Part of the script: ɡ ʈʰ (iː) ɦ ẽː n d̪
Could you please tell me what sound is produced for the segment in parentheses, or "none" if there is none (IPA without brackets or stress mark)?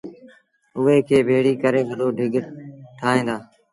aː